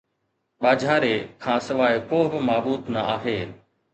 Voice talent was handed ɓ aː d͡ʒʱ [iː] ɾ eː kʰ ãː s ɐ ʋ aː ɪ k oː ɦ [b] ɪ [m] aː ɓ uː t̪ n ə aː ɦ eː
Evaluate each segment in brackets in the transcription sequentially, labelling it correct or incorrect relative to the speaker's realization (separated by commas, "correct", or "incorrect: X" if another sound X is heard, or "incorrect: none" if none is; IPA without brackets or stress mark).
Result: incorrect: aː, correct, correct